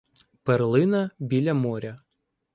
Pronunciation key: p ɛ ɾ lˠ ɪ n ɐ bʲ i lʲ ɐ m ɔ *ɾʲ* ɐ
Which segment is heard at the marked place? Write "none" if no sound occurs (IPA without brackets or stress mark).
ɾʲ